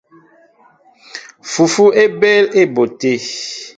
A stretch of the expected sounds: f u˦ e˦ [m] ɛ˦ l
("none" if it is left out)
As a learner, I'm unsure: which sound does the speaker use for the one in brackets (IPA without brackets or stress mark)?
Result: b